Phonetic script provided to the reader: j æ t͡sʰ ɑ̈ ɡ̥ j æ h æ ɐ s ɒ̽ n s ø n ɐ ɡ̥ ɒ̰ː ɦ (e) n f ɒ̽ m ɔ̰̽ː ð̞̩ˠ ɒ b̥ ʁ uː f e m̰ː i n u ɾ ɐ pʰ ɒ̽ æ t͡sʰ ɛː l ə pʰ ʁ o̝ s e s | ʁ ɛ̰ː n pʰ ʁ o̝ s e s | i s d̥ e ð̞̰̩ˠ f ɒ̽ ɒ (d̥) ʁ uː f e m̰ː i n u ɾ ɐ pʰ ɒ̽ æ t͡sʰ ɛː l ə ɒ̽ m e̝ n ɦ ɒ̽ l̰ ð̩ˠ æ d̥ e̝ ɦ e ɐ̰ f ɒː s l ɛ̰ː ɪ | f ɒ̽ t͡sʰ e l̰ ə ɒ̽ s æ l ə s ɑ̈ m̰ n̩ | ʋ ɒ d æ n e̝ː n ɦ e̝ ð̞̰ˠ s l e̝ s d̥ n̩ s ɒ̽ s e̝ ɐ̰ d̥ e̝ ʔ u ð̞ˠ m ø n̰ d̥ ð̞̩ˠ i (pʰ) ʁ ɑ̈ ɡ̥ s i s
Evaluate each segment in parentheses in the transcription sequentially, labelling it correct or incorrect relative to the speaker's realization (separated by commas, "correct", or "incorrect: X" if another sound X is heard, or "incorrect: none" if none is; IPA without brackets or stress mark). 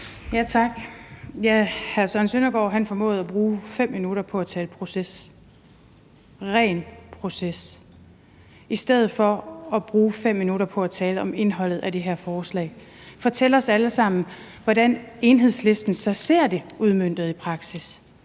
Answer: incorrect: æ, incorrect: b̥, correct